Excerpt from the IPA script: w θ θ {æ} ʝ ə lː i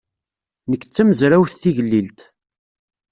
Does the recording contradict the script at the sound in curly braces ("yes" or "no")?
yes